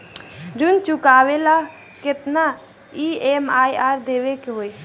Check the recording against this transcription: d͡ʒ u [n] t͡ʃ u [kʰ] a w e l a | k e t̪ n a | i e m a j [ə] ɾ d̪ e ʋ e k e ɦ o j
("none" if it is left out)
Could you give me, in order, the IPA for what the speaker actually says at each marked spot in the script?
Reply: n, k, a

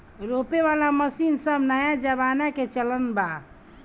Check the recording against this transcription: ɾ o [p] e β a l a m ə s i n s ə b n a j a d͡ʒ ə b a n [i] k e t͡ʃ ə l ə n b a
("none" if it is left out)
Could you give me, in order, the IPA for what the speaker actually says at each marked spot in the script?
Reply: p, a

